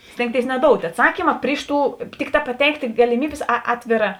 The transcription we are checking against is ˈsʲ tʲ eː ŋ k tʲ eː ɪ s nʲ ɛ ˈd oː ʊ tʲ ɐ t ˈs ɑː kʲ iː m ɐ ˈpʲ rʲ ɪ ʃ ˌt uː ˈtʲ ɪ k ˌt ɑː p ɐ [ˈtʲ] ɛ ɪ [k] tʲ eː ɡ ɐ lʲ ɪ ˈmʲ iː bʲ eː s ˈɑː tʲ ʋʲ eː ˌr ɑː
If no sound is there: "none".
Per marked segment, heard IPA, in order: tʲ, k

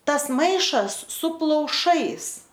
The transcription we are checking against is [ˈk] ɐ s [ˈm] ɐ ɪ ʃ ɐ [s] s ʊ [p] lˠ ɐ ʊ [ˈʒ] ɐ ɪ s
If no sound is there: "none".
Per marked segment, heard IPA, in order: t, m, s, p, ʃ

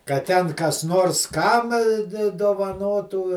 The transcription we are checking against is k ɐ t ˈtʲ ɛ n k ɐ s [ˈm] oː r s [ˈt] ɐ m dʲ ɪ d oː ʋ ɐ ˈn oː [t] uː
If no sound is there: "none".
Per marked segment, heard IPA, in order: n, k, t

